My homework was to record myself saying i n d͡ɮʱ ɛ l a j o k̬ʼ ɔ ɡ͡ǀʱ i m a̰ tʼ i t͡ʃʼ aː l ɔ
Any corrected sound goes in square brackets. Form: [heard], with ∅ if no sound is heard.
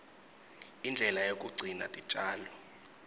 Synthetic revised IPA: i n d͡ɮʱ ɛ l a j o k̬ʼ [u] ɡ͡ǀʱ i [n] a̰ tʼ i t͡ʃʼ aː l ɔ

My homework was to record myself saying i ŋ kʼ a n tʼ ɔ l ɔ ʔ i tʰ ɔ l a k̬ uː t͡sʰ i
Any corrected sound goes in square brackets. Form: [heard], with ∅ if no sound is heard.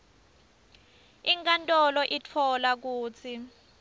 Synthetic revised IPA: i ŋ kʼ a n tʼ ɔ l ɔ ʔ i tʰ ɔ l a k̬ uː t͡sʰ i

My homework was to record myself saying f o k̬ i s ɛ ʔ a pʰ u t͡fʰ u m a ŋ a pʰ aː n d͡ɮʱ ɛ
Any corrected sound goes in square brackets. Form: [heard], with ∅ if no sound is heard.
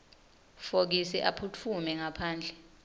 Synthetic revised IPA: f o k̬ i s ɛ ʔ a pʰ u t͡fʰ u m [ɛ] ŋ a pʰ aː n d͡ɮʱ ɛ

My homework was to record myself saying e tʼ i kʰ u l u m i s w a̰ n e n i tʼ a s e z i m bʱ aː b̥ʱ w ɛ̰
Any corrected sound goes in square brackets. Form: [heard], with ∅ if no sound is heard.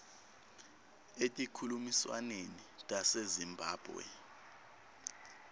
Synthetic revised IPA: e tʼ i kʰ u l u m i s w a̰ n e n i tʼ a s e z i m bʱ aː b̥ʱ w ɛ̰

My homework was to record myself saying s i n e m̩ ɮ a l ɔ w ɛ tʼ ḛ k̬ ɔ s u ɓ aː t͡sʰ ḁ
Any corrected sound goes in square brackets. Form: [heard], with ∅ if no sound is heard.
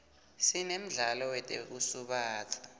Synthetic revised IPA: s i n e m̩ ɮ a l ɔ w ɛ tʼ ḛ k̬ [u] s u ɓ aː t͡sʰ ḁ

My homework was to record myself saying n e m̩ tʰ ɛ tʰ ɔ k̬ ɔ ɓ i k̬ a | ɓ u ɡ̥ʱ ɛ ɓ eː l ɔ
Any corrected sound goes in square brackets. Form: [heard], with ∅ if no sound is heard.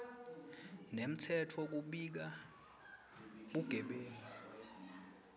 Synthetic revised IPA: n e m̩ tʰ ɛ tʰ ɔ k̬ [u] ɓ i k̬ a | ɓ u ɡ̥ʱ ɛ ɓ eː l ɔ

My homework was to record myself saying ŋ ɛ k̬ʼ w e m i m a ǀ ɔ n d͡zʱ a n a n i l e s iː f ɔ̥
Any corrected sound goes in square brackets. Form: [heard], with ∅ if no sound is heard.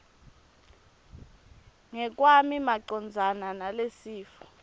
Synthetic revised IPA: ŋ ɛ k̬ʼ w [a] m i m a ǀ ɔ n d͡zʱ a n a n [a] l e s iː f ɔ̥

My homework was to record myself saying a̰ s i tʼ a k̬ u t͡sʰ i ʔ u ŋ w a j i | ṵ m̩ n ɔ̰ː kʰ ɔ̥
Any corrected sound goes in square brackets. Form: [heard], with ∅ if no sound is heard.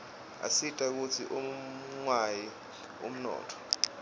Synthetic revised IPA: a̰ s i tʼ a k̬ u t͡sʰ i ʔ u ŋ w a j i | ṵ m̩ n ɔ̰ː [tʰ] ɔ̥

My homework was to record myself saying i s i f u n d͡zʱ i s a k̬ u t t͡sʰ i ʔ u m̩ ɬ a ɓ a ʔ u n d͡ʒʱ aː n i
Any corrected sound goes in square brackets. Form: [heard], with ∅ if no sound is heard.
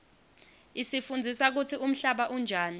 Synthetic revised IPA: i s i f u n d͡zʱ i s a k̬ u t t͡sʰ i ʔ u m̩ ɬ a ɓ a ʔ u n d͡ʒʱ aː n i

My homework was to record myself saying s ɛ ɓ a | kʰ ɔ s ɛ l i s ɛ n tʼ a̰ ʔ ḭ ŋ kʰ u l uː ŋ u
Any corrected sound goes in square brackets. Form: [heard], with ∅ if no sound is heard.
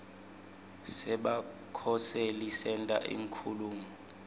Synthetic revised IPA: s ɛ ɓ a | kʰ ɔ s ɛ l i s ɛ n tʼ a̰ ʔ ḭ ŋ kʰ u l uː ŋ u

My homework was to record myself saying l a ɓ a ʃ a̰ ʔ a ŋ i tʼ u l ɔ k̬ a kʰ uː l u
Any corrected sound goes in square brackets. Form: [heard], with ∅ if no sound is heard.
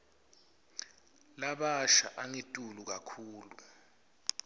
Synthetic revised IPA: l a ɓ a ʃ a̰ ʔ a ŋ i tʼ u l [u] k̬ a kʰ uː l u

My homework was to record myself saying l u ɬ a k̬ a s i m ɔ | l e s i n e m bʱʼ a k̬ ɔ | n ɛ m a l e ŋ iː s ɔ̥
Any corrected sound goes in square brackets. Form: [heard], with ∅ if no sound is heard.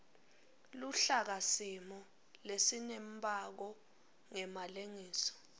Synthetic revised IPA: l u ɬ a k̬ a s i m ɔ | l e s i n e m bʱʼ a k̬ ɔ | [ŋ] ɛ m a l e ŋ iː s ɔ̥

